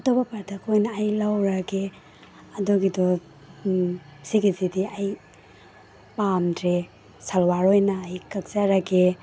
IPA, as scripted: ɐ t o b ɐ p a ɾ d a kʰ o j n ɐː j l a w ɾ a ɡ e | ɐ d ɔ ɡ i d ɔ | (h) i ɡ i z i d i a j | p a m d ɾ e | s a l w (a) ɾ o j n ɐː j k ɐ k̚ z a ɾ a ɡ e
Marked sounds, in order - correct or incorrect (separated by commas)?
incorrect, correct